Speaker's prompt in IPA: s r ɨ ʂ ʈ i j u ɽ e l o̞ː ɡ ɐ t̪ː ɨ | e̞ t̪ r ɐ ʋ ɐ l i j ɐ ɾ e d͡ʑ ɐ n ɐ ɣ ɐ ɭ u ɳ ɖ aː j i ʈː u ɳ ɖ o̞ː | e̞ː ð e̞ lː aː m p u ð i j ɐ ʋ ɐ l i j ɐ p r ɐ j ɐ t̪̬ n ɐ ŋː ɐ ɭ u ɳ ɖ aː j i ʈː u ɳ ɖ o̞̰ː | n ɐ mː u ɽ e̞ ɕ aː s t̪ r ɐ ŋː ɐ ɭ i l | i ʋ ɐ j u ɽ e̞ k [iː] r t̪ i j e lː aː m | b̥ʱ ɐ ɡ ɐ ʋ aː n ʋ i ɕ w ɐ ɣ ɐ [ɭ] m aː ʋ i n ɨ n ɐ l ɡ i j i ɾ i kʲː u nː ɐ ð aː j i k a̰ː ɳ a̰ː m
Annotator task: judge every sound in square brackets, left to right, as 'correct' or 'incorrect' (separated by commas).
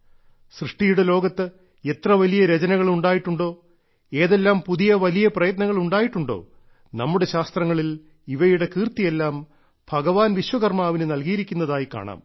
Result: correct, incorrect